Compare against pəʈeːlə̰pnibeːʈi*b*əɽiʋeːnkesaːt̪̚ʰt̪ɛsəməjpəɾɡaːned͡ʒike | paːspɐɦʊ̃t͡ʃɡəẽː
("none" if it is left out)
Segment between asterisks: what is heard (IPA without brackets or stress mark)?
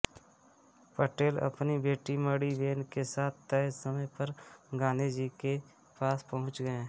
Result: m